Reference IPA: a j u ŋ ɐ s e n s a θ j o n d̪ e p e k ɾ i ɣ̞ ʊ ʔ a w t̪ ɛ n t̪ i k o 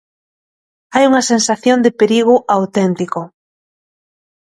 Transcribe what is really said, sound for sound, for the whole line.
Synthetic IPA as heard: a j u ŋ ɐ s e n s a θ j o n d̪ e p e ɾ i ɣ̞ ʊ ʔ a w t̪ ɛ n t̪ i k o